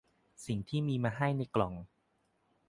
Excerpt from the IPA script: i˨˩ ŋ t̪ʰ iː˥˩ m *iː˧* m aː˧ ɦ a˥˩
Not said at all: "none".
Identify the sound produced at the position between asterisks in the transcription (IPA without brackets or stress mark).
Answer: iː˧